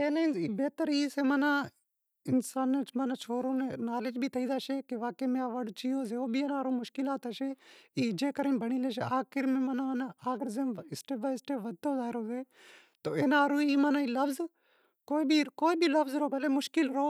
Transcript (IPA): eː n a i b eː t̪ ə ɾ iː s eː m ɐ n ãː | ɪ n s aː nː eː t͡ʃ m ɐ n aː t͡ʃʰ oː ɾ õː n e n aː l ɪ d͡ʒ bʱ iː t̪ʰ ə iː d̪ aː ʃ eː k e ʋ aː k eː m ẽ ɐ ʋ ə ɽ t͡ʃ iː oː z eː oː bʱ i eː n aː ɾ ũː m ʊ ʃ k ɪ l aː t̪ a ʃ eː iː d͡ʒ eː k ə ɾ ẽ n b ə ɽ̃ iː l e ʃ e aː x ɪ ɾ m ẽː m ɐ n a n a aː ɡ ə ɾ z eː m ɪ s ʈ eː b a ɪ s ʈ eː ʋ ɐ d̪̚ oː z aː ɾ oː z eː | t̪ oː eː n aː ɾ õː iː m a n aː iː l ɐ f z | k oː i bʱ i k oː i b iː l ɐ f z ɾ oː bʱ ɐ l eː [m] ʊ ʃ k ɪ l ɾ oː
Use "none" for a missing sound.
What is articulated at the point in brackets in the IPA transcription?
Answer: m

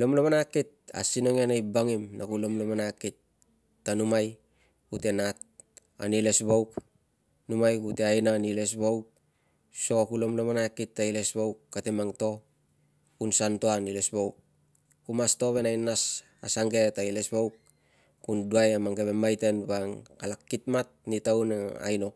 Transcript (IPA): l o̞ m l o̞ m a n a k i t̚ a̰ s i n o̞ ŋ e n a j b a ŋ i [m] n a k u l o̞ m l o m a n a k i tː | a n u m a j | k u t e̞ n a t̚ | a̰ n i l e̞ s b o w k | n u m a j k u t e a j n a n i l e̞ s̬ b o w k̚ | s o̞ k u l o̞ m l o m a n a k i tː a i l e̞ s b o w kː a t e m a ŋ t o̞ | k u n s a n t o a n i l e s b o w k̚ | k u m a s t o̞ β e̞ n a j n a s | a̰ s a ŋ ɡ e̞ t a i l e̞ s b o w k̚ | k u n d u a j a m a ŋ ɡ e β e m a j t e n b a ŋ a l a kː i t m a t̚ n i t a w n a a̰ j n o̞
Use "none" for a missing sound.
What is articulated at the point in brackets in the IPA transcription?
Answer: m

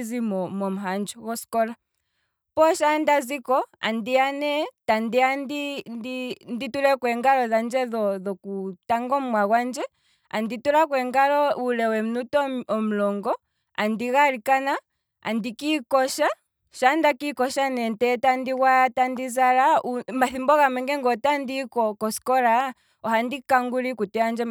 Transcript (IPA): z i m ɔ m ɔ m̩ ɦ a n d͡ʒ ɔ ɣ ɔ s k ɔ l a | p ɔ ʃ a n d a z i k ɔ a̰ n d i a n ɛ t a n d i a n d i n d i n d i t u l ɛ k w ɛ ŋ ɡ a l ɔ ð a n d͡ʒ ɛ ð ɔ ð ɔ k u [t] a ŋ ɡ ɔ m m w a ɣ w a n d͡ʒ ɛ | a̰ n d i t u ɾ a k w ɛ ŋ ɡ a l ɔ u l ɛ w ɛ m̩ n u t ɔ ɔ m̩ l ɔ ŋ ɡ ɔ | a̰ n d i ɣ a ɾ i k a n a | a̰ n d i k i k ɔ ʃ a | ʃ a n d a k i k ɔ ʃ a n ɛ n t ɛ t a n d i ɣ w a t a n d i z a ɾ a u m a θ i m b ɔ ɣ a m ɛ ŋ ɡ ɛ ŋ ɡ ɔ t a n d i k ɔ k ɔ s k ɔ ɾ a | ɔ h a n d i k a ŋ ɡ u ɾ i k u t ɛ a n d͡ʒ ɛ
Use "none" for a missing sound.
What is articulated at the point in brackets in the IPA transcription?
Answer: t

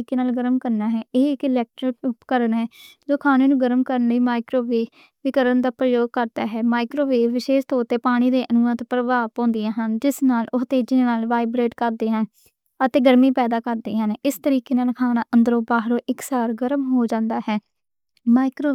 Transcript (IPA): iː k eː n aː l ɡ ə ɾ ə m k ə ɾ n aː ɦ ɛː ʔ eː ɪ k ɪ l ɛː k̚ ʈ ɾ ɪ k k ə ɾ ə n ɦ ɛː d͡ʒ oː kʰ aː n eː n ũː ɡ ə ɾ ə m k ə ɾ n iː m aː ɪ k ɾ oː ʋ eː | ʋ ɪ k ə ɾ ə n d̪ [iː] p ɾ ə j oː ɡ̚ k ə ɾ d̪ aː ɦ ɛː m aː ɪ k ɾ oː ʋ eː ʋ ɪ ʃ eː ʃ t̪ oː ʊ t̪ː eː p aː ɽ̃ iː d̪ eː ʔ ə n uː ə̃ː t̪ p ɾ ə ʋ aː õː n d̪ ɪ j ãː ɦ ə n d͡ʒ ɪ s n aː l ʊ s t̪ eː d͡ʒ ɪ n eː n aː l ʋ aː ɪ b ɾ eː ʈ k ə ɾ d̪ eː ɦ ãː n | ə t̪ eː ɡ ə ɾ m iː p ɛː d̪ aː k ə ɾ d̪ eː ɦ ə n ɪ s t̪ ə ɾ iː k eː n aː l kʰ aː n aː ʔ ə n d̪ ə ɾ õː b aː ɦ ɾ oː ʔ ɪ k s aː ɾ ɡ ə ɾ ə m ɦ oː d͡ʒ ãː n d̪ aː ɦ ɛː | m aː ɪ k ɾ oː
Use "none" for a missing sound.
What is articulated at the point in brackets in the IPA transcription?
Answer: aː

